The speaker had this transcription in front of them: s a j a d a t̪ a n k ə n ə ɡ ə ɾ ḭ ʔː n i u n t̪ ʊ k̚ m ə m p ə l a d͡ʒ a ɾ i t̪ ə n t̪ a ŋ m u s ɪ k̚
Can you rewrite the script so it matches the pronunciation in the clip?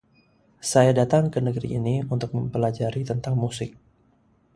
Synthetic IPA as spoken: s a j a d a t̪ a ŋ k ə n ə ɡ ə ɾ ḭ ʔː n i u n t̪ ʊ k̚ m ə m p ə l a d͡ʒ a ɾ i t̪ ə n t̪ a ŋ m u s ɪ k̚